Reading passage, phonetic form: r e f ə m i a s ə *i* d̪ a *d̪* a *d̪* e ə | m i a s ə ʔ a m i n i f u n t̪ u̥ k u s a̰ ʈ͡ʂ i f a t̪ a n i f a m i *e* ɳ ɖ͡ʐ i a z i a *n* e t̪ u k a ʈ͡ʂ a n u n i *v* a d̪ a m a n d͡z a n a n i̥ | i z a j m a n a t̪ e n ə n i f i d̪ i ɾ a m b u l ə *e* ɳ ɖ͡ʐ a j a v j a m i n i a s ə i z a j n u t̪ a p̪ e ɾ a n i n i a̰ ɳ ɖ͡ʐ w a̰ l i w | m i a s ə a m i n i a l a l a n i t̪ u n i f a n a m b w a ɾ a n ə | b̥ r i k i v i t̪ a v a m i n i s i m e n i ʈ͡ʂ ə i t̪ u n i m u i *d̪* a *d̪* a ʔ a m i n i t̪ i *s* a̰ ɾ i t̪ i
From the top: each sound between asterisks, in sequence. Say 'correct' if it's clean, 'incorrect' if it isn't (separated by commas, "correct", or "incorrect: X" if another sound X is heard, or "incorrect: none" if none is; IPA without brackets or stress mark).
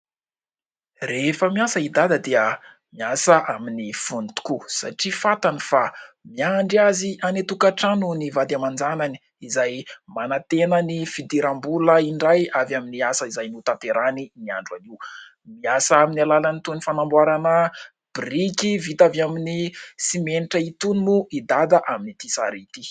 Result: correct, correct, correct, incorrect: a, correct, correct, incorrect: i, correct, correct, correct